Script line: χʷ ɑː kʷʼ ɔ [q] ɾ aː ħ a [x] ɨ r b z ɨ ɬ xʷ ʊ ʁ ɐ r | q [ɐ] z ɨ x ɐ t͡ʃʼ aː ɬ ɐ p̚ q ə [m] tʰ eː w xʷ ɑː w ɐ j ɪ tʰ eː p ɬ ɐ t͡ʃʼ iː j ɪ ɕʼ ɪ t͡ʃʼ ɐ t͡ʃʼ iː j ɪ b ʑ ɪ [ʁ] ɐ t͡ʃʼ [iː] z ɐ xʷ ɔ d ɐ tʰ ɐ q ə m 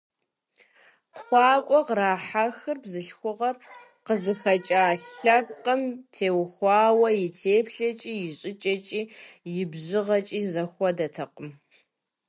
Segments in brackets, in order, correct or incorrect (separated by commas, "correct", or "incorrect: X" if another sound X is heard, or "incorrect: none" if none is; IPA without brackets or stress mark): correct, correct, incorrect: ə, correct, correct, correct